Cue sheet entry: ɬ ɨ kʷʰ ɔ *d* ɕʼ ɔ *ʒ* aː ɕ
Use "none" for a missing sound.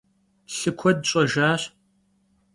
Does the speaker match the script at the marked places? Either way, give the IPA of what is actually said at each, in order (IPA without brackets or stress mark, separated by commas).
d, ʒ